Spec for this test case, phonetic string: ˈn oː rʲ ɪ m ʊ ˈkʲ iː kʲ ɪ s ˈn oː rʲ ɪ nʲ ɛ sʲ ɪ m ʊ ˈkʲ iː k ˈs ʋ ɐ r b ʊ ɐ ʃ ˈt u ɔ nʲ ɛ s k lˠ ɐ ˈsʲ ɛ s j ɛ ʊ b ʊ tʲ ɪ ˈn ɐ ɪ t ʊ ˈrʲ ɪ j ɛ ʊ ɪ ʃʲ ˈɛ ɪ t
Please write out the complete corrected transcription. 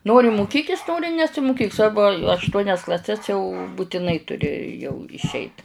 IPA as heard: ˈn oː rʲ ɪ m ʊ ˈkʲ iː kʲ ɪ s ˈn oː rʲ ɪ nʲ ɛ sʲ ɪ m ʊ ˈkʲ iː k ˈs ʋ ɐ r b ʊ ɐ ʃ ˈt u ɔ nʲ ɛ s k lˠ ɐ ˈsʲ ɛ s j ɛ ʊ b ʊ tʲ ɪ ˈn ɐ ɪ t ʊ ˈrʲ ɪ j ɛ ʊ ɪ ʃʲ ˈɛ ɪ t